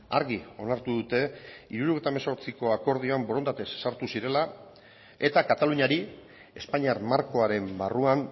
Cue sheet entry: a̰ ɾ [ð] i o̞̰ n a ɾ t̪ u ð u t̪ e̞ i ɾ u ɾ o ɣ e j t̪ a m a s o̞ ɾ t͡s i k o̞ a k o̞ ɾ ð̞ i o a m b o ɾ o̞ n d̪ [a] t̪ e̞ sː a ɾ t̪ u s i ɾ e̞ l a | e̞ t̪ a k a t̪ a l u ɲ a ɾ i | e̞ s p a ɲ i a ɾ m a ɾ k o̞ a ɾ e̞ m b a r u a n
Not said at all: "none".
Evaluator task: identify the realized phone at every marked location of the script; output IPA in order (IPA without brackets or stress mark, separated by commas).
ɣ, a